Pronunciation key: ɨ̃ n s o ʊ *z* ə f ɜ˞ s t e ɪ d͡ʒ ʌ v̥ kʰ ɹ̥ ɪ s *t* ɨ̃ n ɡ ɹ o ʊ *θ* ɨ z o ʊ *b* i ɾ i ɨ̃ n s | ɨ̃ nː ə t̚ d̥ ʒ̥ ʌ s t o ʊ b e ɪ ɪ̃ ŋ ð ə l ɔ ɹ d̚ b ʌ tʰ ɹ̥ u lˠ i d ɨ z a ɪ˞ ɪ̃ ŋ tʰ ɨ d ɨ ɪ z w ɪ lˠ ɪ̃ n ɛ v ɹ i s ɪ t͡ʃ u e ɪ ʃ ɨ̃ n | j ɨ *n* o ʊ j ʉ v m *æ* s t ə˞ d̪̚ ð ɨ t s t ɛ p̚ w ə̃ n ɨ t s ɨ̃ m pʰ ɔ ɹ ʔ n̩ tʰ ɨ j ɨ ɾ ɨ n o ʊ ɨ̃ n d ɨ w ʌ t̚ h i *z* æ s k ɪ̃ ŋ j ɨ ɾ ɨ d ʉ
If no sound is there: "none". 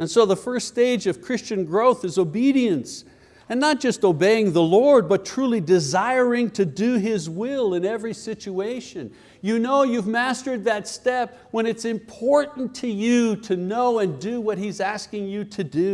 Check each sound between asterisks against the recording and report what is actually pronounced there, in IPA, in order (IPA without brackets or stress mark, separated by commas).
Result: ð, t͡ʃ, θ, b, n, æ, z